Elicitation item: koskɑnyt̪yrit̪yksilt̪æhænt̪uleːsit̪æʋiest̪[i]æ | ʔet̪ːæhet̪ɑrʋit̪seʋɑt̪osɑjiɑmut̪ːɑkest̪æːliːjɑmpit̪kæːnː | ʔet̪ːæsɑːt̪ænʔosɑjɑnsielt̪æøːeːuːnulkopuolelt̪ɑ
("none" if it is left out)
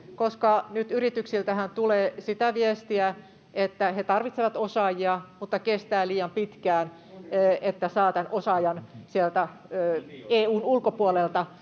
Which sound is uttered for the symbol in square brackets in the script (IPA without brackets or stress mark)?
i